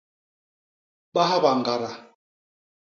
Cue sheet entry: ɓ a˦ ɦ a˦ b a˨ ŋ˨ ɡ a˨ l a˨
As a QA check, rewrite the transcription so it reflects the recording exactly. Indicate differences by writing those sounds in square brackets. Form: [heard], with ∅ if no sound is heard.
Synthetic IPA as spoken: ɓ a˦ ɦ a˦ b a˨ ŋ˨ ɡ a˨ [ɾ] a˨